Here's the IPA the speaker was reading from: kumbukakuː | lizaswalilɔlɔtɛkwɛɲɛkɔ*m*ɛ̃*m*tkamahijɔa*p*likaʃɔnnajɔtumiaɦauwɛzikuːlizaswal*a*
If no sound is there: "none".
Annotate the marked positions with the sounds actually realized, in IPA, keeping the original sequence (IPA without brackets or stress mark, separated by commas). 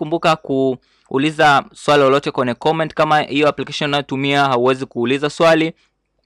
m, n, p, i